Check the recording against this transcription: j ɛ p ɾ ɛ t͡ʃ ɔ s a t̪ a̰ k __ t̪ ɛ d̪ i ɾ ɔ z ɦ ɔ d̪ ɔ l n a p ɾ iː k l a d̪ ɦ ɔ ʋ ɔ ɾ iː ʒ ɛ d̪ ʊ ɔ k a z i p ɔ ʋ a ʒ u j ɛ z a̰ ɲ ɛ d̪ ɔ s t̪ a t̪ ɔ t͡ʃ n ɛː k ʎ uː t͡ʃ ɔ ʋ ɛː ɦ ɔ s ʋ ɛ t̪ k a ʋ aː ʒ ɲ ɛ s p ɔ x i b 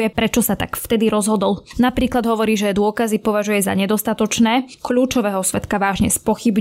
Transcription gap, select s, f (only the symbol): f